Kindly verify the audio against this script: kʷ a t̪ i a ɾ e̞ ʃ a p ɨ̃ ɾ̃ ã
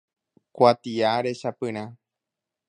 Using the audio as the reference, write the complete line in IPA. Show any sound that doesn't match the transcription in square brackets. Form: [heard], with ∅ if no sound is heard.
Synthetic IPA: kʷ a t̪ i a ɾ e̞ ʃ a p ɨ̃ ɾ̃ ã